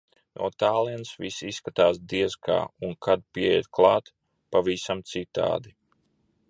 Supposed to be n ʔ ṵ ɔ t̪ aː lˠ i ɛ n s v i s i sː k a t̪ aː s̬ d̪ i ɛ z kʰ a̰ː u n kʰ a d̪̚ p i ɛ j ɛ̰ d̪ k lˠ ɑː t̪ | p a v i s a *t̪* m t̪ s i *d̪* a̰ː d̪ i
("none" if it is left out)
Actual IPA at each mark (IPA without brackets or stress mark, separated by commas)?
none, t̪